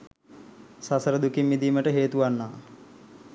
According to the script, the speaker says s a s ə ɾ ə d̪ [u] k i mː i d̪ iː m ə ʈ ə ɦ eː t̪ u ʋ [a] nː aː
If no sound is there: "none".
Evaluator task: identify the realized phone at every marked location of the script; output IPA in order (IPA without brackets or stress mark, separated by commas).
u, a